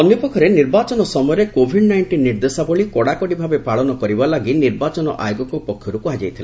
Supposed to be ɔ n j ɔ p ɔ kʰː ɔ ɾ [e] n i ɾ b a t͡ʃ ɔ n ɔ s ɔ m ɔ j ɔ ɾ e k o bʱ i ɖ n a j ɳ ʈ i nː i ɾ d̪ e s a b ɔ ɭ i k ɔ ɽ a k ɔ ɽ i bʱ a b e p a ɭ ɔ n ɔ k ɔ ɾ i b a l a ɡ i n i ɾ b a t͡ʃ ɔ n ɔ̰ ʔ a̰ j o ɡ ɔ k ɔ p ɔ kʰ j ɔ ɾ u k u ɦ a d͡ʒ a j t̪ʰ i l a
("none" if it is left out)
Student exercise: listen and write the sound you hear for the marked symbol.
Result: e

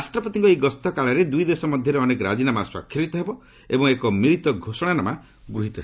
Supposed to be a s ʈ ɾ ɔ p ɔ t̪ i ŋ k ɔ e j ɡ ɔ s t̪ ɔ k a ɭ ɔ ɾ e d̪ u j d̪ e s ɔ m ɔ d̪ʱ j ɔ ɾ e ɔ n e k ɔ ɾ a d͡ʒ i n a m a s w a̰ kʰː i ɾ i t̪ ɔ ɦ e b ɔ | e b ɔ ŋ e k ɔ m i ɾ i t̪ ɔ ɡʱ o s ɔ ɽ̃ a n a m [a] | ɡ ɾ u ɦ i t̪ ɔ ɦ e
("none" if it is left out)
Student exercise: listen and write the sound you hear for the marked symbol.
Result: a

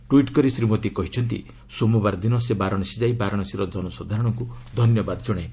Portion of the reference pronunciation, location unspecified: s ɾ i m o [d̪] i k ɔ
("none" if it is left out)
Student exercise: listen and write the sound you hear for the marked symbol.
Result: t̪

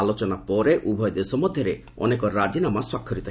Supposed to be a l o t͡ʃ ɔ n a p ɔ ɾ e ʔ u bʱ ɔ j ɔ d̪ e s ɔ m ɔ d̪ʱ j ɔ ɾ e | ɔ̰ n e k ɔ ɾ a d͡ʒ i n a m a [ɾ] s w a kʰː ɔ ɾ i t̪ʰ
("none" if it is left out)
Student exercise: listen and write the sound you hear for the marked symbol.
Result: none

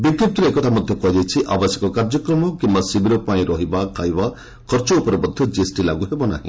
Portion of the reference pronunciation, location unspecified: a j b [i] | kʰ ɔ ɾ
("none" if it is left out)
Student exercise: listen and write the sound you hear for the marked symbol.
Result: a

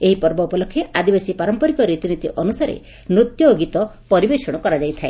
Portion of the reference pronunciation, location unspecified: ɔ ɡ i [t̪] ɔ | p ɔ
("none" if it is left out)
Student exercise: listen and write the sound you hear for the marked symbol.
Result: t̪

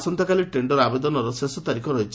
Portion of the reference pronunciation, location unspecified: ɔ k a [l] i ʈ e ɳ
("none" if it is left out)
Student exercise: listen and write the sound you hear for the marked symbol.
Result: l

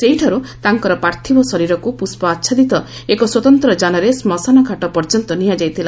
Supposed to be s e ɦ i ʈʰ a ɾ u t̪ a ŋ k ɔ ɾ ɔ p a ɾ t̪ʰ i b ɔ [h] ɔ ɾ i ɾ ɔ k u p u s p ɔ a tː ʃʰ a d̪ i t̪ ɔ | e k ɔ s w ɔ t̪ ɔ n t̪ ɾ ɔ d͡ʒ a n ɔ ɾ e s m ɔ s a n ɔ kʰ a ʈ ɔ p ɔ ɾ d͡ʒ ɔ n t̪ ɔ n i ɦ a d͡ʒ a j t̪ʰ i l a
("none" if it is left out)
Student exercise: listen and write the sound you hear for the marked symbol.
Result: s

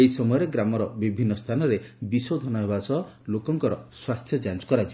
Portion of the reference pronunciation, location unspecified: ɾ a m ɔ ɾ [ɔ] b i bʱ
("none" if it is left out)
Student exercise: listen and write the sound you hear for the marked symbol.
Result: ɔ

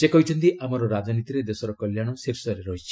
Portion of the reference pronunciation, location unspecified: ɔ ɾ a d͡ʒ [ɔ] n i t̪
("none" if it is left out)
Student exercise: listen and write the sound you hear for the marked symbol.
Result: ɔ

